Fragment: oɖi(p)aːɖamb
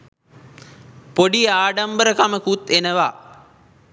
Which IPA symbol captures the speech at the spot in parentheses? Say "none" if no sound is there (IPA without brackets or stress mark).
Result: none